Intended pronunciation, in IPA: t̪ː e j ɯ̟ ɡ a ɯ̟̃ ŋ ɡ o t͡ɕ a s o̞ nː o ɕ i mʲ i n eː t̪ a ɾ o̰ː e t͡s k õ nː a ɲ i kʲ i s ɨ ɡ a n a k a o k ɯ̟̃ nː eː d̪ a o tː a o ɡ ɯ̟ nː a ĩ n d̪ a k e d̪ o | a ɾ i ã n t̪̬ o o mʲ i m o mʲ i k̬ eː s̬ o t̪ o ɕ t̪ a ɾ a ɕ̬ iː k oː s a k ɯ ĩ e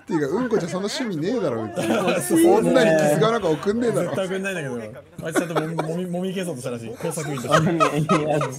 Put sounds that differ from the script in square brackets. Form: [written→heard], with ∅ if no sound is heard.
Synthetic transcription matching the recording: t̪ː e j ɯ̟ [ɡ→k] a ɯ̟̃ ŋ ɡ o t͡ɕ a s o̞ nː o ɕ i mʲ i n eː [t̪→d̪] a ɾ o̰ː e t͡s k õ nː a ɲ i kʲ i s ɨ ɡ a n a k a o k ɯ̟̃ nː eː d̪ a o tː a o [ɡ→k] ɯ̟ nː a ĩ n d̪ a k e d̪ o | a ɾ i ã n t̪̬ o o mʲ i m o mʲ i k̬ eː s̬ o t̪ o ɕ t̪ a ɾ a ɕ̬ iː k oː s a k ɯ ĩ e